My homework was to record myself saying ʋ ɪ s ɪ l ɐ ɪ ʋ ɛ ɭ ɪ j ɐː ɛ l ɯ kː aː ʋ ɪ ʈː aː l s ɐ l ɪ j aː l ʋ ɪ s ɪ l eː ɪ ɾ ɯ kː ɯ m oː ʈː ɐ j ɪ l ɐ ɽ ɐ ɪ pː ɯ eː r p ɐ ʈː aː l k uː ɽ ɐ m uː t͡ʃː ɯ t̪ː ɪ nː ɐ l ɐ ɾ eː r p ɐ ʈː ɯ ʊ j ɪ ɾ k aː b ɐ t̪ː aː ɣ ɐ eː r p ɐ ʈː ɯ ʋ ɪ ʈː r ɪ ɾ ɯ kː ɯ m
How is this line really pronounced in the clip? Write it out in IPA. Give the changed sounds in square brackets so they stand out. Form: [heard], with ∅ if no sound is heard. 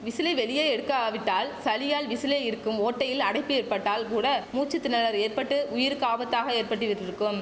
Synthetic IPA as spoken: ʋ ɪ s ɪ l ɐ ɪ ʋ ɛ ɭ ɪ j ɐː ɛ [ɽ] ɯ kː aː ʋ ɪ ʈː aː l s ɐ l ɪ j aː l ʋ ɪ s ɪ l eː ɪ ɾ ɯ kː ɯ m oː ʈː ɐ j ɪ l ɐ ɽ ɐ ɪ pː ɯ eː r p ɐ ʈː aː l k uː ɽ ɐ m uː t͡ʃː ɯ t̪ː ɪ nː ɐ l ɐ ɾ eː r p ɐ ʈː ɯ ʊ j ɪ ɾ k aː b ɐ t̪ː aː ɣ ɐ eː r p ɐ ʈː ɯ ʋ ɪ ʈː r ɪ ɾ ɯ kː ɯ m